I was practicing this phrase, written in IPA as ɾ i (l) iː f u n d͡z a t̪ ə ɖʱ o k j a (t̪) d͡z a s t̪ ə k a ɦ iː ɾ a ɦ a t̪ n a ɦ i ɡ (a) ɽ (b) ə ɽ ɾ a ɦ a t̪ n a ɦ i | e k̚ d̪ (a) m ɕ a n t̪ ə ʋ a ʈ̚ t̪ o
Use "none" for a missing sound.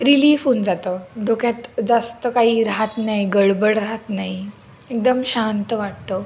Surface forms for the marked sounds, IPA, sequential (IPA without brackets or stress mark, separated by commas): l, t̪, ə, b, ə